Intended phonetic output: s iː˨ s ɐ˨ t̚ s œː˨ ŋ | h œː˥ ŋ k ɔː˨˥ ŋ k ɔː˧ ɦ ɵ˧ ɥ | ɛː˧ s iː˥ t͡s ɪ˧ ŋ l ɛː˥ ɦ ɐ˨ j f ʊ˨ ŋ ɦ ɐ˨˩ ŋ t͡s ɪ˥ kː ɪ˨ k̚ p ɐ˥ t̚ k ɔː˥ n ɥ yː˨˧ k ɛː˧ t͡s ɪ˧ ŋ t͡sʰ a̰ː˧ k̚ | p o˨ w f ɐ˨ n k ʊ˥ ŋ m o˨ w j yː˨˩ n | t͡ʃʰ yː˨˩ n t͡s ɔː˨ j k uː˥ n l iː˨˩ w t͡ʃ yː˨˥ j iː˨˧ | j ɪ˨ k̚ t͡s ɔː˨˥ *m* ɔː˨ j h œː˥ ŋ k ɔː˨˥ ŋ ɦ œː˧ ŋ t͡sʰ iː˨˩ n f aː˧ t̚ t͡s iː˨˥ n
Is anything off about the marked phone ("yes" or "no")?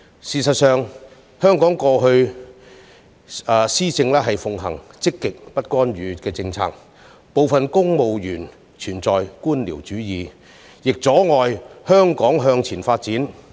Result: yes